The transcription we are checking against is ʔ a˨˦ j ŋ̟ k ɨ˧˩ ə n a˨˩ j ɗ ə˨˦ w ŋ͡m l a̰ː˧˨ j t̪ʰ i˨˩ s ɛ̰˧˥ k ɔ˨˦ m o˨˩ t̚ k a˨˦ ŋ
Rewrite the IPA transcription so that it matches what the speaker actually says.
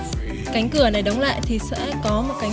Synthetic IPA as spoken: k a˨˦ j ŋ̟ k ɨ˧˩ ə n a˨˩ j ɗ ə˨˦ w ŋ͡m l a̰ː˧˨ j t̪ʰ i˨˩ s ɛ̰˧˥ k ɔ˨˦ m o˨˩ t̚ k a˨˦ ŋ